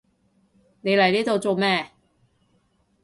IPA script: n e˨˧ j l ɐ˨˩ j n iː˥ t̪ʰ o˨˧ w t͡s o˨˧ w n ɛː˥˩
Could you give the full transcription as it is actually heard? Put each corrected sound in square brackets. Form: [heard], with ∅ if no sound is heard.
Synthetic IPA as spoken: n e˨˧ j l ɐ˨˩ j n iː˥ [t̪] o˨˧ w t͡s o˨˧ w [m] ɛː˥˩